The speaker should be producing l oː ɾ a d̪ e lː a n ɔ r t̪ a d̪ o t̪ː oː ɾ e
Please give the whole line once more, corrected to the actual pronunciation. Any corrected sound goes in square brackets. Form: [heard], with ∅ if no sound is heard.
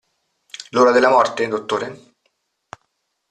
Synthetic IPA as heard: l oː ɾ a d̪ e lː a [m] ɔ r t̪ [e] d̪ o t̪ː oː ɾ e